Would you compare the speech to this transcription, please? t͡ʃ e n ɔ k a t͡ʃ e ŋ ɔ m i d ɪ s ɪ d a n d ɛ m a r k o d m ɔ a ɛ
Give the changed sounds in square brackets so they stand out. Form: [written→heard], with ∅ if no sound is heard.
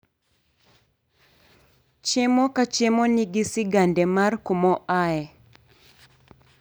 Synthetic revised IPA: t͡ʃ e [n→m] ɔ k a t͡ʃ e [ŋ→m] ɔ [m→n] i [d→ɡ] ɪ s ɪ [d→ɡ] a n d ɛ m a r k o [d→∅] m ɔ a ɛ